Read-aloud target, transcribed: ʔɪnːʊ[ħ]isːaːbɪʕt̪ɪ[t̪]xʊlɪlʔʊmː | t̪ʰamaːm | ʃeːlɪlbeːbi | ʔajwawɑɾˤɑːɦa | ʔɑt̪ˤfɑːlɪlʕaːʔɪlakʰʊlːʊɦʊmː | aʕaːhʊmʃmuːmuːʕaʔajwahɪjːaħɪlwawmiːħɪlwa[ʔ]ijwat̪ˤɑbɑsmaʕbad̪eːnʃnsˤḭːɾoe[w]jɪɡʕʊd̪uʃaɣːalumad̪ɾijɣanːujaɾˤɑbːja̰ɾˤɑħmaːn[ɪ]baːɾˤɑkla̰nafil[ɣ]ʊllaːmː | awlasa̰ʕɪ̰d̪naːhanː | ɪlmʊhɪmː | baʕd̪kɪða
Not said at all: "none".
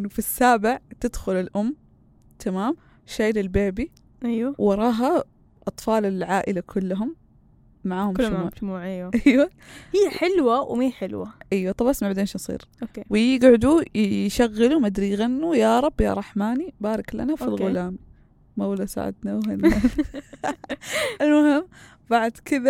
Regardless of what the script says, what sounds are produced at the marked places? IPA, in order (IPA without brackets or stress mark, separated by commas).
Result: f, d̪, ʔ, w, i, ɣ